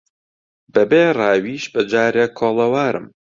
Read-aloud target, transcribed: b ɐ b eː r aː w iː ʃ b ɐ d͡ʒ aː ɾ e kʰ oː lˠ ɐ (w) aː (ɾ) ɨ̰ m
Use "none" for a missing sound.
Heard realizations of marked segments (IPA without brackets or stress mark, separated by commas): w, ɾ